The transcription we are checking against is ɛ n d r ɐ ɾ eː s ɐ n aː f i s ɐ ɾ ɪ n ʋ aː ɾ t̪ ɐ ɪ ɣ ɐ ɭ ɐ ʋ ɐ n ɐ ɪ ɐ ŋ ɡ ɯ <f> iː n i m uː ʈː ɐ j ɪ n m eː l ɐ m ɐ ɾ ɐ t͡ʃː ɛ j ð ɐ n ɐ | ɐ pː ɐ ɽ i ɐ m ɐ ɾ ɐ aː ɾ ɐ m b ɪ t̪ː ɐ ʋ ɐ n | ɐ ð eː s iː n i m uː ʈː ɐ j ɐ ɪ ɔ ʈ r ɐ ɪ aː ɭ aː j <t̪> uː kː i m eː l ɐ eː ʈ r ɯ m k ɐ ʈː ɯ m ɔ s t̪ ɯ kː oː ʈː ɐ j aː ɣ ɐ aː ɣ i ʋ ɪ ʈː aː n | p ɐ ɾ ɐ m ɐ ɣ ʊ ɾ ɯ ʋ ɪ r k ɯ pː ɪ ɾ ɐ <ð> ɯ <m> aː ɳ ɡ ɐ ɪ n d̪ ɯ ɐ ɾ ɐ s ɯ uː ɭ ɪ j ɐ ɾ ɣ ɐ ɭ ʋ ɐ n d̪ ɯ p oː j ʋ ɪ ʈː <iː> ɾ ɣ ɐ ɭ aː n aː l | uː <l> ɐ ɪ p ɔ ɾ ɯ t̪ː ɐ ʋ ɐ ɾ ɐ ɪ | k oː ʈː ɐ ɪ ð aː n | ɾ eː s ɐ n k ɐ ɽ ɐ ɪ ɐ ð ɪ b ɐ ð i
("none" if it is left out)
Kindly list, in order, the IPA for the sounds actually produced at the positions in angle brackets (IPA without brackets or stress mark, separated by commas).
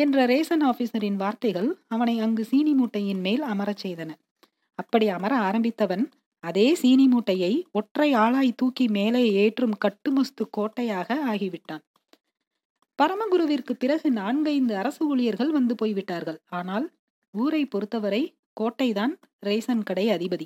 s, t̪, ɣ, n, aː, ɾ